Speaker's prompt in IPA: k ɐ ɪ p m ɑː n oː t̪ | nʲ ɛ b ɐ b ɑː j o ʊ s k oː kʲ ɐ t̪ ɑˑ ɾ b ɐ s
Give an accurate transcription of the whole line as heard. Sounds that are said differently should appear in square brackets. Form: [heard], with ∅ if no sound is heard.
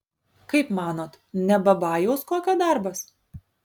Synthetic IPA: k ɐ ɪ p m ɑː n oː t̪ | nʲ ɛ b ɐ b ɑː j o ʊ s k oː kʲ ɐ [d̪] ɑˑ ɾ b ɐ s